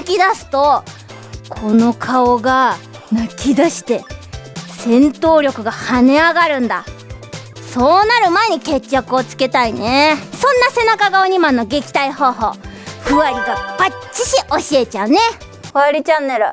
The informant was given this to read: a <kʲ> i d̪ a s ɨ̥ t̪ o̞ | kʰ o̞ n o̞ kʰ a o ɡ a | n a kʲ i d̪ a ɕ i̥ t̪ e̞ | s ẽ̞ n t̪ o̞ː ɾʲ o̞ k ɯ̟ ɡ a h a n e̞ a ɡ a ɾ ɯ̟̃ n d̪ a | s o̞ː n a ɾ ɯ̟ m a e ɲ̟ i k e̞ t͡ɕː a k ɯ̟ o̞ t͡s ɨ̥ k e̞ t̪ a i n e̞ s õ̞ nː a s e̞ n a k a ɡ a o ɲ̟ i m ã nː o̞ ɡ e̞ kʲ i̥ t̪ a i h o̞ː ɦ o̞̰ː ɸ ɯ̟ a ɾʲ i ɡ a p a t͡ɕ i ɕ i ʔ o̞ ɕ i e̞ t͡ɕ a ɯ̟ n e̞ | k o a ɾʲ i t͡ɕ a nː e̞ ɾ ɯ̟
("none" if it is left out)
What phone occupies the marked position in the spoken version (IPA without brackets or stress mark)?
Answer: kʲ